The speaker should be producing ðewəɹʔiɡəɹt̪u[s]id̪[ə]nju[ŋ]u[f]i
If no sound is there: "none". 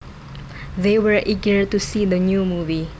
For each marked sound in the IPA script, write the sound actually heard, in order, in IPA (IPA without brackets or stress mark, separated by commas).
s, ə, m, v